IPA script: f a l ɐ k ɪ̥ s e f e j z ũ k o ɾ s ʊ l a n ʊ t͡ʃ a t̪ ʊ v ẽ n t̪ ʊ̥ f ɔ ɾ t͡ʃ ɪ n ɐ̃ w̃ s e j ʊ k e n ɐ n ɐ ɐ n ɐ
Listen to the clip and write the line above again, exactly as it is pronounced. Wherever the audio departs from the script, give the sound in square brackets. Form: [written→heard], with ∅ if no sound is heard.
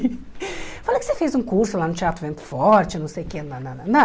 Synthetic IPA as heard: f a l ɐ k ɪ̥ s e f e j z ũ k [o→u] ɾ s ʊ l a n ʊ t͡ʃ a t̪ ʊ v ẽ n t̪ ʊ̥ f ɔ ɾ t͡ʃ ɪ n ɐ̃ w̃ s e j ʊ k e n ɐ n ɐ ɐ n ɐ

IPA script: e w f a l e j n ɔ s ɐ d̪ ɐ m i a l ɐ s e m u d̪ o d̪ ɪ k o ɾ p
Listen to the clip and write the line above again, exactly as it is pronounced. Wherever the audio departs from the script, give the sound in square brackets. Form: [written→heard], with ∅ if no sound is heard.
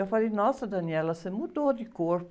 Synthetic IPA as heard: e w f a l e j n ɔ s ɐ d̪ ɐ [m→n] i [a→ɛ] l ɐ s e m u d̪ o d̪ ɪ k o ɾ p

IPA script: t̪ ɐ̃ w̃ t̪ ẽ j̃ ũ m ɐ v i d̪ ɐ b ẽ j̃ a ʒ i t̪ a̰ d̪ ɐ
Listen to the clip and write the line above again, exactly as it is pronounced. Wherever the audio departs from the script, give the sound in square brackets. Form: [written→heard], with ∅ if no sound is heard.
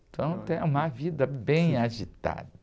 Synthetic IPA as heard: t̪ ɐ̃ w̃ t̪ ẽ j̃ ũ m ɐ v i d̪ ɐ b ẽ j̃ a ʒ i t̪ a̰ d̪ ɐ

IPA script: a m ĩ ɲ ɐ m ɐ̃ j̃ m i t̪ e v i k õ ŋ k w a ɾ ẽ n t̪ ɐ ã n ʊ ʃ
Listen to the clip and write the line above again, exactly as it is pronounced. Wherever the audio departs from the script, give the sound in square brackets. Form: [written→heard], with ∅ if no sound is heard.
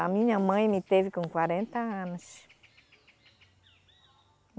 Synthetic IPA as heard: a m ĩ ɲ ɐ m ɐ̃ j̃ m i t̪ e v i k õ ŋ k w a ɾ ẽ n t̪ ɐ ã n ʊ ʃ

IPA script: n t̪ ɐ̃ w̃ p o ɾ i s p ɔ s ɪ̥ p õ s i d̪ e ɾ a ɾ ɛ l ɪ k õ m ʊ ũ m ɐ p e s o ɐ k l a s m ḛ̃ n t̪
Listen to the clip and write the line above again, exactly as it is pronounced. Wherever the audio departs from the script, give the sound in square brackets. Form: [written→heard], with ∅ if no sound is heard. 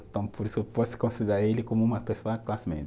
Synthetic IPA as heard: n t̪ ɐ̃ w̃ p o ɾ i s p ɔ s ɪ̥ [p→k] õ s i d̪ e ɾ a ɾ [ɛ→e] l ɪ k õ m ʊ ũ m ɐ p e s o ɐ k l a s m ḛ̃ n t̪

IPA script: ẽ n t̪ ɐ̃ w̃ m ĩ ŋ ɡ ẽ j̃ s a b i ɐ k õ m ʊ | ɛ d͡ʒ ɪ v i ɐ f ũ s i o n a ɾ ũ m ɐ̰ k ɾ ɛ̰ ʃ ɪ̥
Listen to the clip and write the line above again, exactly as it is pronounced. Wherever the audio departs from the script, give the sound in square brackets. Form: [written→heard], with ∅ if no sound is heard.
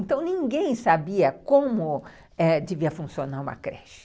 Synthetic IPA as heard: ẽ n t̪ ɐ̃ w̃ [m→n] ĩ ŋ ɡ ẽ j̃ s a b i ɐ k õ m ʊ | ɛ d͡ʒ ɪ v i ɐ f ũ s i o n a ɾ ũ m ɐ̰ k ɾ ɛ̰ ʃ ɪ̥

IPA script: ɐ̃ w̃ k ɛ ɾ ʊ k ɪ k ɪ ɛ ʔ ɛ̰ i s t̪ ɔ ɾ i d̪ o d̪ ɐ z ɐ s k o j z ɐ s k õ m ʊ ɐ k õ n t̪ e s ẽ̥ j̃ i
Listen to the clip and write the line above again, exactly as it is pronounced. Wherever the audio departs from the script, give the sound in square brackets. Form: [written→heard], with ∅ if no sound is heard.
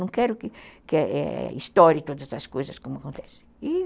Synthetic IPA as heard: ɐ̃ w̃ k ɛ ɾ ʊ k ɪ k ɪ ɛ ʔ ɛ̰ i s t̪ ɔ ɾ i [d̪→t̪] o d̪ ɐ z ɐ s k o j z ɐ s k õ m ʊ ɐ k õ n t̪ [e→ɛ] s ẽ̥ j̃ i

